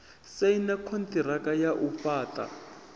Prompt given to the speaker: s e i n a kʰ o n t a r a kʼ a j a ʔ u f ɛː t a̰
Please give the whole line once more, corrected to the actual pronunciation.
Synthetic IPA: s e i n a kʰ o n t i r a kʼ a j a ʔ u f aː t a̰